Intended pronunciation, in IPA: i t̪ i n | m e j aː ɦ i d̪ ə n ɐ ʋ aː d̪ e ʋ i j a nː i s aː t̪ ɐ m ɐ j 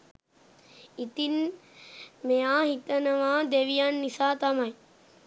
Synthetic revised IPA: i t̪ i n | m e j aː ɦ i t̪ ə n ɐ ʋ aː d̪ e ʋ i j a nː i s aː t̪ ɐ m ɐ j